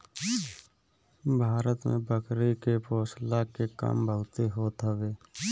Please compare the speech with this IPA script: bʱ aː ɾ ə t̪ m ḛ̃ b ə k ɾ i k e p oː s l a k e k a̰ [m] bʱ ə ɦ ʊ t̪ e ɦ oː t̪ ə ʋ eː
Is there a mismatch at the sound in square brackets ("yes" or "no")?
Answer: no